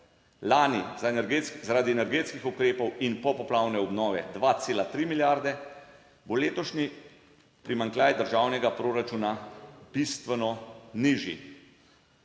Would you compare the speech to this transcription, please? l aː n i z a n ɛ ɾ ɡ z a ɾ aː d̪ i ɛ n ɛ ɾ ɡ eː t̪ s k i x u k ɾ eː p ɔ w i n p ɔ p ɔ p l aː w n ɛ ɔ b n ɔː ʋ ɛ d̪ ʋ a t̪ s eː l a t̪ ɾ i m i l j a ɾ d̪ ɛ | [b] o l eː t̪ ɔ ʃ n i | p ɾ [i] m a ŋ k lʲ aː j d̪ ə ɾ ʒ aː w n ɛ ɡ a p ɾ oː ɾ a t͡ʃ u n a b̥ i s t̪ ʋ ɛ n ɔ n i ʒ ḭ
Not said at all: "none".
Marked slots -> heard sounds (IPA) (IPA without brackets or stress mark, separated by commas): b, i